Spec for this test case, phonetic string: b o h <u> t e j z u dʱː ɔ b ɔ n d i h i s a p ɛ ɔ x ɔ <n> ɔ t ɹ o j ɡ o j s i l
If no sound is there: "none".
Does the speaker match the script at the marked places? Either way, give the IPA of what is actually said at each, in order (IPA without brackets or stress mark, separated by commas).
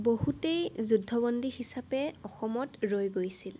u, m